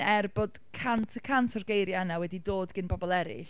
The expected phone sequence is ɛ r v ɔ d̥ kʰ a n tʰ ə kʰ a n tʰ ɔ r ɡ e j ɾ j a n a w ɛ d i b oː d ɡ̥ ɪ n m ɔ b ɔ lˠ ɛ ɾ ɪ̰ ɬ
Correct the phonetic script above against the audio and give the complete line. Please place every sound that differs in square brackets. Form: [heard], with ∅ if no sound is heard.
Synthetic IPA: ɛ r [b] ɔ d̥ kʰ a n tʰ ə kʰ a n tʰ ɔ r ɡ e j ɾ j a n a w ɛ d i [d] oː d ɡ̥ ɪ n [b] ɔ b ɔ lˠ ɛ ɾ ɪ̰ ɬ